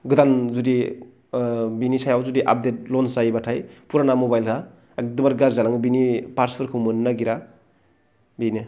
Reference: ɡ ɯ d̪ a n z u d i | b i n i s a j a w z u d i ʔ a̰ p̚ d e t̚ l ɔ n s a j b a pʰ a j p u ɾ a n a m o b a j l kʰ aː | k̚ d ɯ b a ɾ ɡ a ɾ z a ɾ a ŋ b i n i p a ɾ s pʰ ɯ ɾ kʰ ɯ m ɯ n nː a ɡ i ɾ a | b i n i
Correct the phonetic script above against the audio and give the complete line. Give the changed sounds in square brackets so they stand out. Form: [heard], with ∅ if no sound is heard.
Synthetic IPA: ɡ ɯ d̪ a n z u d i | b i n i s a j a w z u d i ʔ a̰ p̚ d e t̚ l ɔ n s a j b a [tʰ] a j p u ɾ a n a m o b a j l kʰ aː | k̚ d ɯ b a ɾ ɡ a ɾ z a [l] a ŋ b i n i p a ɾ s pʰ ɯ ɾ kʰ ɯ m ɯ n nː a ɡ i ɾ a | b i n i